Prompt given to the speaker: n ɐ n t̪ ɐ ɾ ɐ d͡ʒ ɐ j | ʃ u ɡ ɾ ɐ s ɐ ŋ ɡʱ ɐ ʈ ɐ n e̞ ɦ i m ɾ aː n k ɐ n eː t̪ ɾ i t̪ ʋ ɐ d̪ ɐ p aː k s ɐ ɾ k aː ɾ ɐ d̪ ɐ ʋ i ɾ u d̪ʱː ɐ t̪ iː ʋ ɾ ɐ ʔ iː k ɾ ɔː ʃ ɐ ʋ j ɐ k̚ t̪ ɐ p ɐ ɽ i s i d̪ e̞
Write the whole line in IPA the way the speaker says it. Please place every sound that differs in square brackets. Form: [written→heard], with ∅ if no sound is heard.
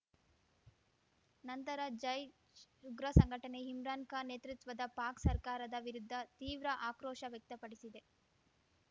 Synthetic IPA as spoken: n ɐ n t̪ ɐ ɾ ɐ d͡ʒ ɐ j | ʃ u ɡ ɾ ɐ s ɐ ŋ ɡʱ ɐ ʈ ɐ n e̞ ɦ i m ɾ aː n k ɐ n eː t̪ ɾ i t̪ ʋ ɐ d̪ ɐ p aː k s ɐ ɾ k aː ɾ ɐ d̪ ɐ ʋ i ɾ u d̪ʱː ɐ t̪ iː ʋ ɾ ɐ ʔ [iː→aː] k ɾ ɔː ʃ ɐ ʋ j ɐ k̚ t̪ ɐ p ɐ ɽ i s i d̪ e̞